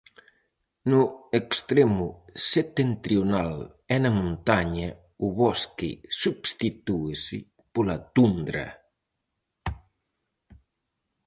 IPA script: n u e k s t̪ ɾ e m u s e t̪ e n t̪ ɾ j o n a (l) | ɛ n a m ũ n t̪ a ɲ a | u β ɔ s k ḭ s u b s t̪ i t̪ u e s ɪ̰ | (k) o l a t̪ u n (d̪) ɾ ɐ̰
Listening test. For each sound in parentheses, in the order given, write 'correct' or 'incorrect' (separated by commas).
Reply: correct, incorrect, correct